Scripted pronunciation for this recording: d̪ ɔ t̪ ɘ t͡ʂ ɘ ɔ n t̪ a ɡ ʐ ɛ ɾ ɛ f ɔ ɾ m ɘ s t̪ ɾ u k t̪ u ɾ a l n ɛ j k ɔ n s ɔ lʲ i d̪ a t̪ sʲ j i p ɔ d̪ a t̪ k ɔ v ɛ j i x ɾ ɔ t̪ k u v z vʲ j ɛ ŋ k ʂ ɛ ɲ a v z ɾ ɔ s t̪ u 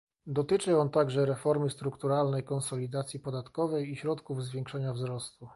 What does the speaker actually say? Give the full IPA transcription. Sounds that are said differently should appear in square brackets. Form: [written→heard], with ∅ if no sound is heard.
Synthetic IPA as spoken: d̪ ɔ t̪ ɘ t͡ʂ ɘ ɔ n t̪ a ɡ ʐ ɛ ɾ ɛ f ɔ ɾ m ɘ s t̪ ɾ u k t̪ u ɾ a l n ɛ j k ɔ n s ɔ lʲ i d̪ a t̪ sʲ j i p ɔ d̪ a t̪ k ɔ v ɛ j i [x→ɕ] ɾ ɔ t̪ k u v z vʲ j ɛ ŋ k ʂ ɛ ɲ a v z ɾ ɔ s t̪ u